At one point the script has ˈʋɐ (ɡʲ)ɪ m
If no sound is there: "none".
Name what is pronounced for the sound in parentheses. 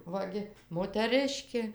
ɡʲ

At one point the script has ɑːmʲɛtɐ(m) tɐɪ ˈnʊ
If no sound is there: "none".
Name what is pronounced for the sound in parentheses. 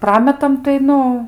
m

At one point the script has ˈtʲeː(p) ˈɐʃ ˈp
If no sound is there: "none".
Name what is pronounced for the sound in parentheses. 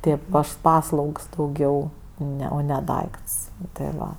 p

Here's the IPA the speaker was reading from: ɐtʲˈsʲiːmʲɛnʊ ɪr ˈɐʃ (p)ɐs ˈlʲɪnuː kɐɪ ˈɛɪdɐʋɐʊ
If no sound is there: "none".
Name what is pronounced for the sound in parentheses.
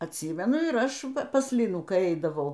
p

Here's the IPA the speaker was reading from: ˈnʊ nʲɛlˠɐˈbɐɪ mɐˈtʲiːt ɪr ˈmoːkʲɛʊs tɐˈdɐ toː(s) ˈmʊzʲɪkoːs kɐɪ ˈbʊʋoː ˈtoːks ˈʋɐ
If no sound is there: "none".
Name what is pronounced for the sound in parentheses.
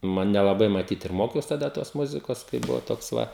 s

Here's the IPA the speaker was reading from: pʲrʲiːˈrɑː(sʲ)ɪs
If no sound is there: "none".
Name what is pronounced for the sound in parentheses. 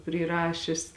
ʃʲ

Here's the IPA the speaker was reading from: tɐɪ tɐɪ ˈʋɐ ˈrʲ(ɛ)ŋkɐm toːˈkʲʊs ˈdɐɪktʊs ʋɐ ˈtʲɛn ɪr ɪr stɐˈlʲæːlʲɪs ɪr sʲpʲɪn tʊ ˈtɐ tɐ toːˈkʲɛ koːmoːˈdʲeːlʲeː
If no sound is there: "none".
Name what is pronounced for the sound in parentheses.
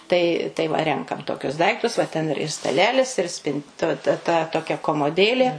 ɛ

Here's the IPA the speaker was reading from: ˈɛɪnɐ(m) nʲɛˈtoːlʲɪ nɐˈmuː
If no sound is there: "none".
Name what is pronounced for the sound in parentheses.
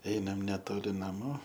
m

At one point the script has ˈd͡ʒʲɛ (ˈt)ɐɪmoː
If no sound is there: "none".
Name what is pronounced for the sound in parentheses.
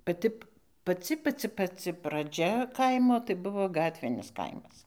k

